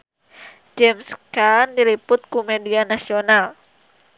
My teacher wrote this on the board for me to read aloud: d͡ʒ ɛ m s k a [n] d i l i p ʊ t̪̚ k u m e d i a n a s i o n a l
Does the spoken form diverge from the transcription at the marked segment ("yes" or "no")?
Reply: no